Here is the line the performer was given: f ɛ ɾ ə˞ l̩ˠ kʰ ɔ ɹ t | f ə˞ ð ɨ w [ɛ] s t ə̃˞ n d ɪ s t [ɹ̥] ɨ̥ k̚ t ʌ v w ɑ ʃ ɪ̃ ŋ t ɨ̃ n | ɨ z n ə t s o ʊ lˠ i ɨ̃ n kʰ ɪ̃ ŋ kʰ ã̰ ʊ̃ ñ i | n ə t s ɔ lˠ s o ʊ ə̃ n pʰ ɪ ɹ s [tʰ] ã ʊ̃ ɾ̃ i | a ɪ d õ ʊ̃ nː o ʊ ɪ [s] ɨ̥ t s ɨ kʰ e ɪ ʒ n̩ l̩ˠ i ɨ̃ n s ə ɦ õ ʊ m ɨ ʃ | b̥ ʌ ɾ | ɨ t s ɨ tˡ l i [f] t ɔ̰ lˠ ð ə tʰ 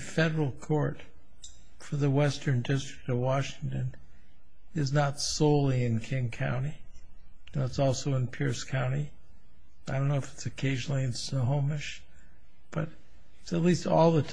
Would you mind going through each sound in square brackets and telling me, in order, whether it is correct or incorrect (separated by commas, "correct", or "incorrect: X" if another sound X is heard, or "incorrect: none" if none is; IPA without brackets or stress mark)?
correct, correct, incorrect: kʰ, incorrect: f, incorrect: s